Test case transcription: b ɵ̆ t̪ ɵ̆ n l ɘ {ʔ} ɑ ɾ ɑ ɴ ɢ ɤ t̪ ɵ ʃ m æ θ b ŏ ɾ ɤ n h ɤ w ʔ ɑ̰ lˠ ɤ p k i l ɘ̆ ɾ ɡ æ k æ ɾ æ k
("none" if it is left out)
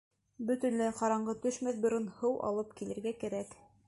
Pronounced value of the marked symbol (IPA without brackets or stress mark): q